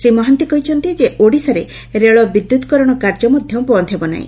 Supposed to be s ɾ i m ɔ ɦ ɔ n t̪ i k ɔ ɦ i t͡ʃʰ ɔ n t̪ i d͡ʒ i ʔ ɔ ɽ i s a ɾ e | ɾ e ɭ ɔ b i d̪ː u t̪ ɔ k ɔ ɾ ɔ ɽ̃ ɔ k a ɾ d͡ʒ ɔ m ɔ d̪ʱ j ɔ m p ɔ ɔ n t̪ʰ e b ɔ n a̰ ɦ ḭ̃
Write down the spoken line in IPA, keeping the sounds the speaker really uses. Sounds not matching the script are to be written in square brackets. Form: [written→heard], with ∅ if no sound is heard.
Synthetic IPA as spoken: s ɾ i m ɔ ɦ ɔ n t̪ i k ɔ ɦ i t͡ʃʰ ɔ n t̪ i d͡ʒ [i→e] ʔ [ɔ→o] ɽ i s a ɾ e | ɾ e ɭ ɔ b i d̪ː u t̪ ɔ k ɔ ɾ ɔ ɽ̃ ɔ k a ɾ d͡ʒ ɔ m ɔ d̪ʱ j ɔ m p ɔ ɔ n t̪ʰ e b ɔ n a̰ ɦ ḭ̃